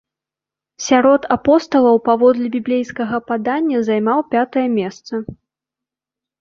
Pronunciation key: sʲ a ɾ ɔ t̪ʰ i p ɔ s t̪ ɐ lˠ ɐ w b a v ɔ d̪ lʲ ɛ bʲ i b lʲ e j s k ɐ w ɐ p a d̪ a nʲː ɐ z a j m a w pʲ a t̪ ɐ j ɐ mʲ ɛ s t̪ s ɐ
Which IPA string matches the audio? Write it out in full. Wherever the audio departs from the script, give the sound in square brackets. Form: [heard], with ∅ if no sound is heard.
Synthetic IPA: sʲ a ɾ ɔ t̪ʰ [a] p ɔ s t̪ ɐ lˠ ɐ w [p] a v ɔ d̪ lʲ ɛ bʲ i b lʲ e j s k ɐ [ɣ] ɐ p a d̪ a nʲː ɐ z a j m a w pʲ a t̪ ɐ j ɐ mʲ ɛ s t̪ s ɐ